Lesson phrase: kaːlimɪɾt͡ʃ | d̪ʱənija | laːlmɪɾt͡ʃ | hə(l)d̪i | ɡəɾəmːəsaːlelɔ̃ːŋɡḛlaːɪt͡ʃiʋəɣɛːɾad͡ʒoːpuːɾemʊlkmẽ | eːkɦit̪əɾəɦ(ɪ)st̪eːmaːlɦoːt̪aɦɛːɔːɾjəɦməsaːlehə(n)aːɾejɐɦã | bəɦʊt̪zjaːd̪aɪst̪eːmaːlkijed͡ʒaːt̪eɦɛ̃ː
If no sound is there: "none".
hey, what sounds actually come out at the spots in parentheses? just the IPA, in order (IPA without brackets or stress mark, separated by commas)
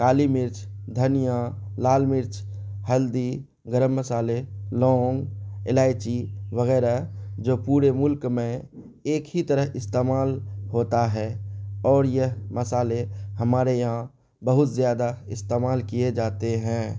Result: l, ɪ, m